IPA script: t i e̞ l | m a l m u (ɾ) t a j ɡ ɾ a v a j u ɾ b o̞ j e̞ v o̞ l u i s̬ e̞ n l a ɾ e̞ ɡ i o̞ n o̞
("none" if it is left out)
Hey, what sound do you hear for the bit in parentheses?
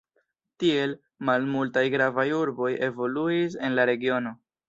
l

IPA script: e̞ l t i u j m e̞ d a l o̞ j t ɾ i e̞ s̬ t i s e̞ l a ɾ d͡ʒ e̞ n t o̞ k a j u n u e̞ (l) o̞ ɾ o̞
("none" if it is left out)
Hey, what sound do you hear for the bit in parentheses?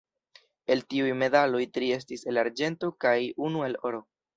l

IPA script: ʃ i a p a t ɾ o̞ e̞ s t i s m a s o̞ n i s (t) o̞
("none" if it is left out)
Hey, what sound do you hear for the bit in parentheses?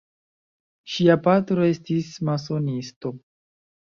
t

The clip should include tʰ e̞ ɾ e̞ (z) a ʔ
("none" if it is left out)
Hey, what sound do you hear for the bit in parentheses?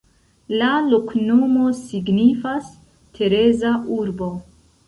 z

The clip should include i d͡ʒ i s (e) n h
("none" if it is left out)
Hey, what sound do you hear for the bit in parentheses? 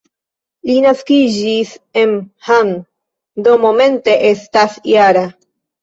e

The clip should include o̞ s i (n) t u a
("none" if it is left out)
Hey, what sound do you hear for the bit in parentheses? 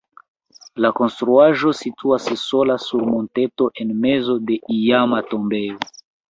none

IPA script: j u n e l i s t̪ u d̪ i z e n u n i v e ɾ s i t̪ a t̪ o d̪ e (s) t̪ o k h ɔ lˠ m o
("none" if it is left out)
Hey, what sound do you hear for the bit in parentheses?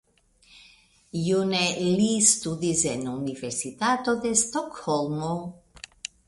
s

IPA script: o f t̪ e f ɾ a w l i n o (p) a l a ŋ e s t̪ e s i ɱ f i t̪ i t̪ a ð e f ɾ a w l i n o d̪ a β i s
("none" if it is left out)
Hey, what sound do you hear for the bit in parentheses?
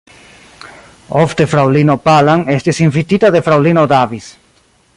p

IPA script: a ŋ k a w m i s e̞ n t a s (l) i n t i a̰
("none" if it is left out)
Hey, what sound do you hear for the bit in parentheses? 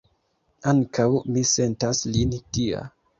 l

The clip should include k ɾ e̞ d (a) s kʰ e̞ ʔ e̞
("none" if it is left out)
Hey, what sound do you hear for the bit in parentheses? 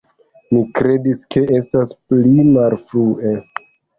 i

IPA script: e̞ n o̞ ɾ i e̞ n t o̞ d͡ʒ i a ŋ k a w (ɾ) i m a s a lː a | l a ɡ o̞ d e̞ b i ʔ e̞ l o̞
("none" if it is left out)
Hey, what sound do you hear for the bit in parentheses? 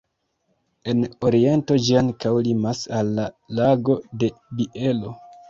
l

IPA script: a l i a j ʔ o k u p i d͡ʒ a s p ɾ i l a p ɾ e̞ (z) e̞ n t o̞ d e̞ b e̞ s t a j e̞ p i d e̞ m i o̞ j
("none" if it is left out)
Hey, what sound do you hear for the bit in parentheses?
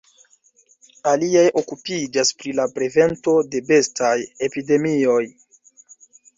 v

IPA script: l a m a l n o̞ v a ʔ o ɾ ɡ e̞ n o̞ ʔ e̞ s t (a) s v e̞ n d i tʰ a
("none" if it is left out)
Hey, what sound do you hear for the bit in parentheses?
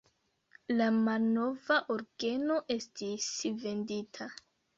i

